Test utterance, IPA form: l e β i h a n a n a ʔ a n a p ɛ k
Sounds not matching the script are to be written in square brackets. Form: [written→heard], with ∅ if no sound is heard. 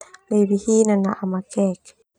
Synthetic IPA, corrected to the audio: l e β i h [a→i] n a n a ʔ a [n→m] a [p→k] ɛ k